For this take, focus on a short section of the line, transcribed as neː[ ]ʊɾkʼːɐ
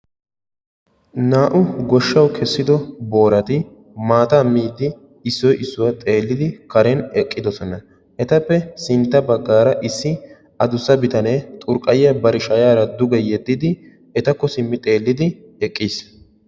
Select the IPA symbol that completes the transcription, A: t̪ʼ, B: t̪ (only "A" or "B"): A